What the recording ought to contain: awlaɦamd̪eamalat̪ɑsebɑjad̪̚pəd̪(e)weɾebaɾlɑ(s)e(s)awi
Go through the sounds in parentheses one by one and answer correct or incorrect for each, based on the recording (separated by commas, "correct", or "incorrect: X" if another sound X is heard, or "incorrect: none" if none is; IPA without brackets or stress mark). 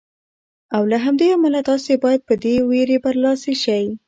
correct, correct, incorrect: ʃ